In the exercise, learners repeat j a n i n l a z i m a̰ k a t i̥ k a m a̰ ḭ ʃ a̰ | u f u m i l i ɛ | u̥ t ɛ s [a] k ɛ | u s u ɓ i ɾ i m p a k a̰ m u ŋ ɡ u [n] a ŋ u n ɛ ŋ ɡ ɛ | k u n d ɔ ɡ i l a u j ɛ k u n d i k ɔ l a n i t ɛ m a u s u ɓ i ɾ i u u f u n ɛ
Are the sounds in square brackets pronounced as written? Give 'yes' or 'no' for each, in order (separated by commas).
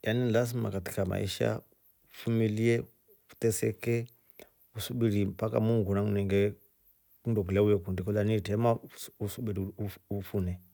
no, yes